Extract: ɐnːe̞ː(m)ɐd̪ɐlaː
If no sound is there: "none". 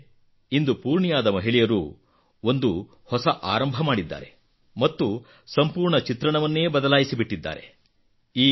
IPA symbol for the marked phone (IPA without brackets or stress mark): b